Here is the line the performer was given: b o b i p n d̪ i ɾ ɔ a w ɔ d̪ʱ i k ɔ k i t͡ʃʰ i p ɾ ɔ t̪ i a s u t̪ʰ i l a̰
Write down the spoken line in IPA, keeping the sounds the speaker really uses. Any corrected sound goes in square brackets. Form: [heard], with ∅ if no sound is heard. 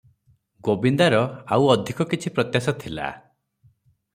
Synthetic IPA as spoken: [ɡ] o b i [∅] n d̪ [a] ɾ ɔ a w ɔ d̪ʱ i k ɔ k i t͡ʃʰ i p ɾ ɔ t̪ [j] a s [ɔ] t̪ʰ i l a̰